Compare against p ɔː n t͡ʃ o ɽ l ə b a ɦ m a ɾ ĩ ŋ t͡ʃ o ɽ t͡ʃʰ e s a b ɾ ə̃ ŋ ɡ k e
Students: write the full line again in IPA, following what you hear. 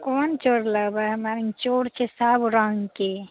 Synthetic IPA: k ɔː n t͡ʃ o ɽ l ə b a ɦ m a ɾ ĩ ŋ t͡ʃ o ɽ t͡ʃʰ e s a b ɾ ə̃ ŋ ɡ k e